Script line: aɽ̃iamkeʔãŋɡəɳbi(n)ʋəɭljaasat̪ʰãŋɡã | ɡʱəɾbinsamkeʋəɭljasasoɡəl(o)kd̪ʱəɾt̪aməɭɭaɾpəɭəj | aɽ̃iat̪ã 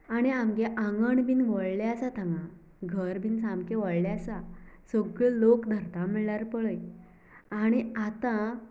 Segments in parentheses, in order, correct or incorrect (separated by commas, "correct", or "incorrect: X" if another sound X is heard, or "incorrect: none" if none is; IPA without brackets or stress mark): correct, correct